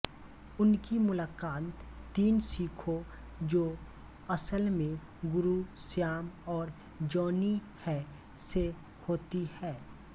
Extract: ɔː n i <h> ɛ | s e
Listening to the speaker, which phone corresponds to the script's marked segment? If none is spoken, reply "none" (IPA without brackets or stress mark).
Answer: h